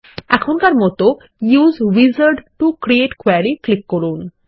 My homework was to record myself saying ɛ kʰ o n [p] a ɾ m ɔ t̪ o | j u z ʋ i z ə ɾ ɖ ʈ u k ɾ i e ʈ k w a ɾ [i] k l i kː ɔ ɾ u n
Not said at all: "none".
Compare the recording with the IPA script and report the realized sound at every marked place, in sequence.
k, i

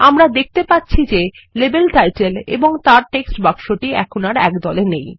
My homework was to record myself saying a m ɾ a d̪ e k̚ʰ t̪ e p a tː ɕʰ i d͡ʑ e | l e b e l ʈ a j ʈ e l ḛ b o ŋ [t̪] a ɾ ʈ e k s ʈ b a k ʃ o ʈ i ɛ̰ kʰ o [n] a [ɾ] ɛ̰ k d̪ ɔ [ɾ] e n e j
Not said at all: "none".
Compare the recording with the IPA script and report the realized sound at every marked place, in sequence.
t̪, n, ɾ, l

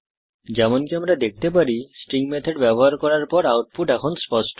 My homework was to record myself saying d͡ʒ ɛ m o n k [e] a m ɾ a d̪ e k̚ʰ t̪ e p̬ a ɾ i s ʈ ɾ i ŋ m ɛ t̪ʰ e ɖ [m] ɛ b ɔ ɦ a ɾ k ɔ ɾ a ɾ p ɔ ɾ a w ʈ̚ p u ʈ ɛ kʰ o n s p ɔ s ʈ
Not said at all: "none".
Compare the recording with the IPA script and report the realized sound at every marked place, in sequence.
i, b

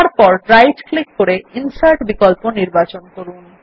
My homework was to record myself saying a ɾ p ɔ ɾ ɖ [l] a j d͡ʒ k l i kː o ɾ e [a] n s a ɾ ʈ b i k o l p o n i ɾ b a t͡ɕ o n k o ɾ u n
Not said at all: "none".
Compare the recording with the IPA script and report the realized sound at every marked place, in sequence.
ɾ, i

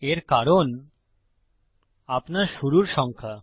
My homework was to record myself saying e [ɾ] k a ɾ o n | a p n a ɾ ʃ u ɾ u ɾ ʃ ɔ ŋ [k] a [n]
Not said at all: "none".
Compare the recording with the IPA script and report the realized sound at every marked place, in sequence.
ɾ, kʰ, none

